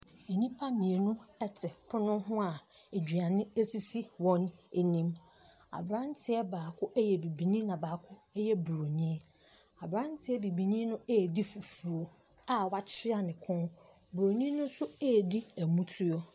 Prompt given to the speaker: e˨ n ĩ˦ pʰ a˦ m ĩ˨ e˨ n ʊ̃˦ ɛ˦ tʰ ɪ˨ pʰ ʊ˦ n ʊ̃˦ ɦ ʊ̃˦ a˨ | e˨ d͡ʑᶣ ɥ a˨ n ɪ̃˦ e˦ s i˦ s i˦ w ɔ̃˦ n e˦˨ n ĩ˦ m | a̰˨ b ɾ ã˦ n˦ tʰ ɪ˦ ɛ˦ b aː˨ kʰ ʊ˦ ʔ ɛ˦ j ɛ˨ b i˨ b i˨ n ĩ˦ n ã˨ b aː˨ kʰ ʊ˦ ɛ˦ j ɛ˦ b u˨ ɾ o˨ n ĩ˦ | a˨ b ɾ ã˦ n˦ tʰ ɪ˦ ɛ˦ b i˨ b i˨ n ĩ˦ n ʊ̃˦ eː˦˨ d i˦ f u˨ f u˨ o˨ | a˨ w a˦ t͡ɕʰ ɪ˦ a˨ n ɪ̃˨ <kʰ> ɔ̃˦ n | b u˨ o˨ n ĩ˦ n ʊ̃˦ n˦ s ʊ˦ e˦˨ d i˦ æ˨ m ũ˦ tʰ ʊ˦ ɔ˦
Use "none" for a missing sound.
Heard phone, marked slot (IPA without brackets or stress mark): kʰ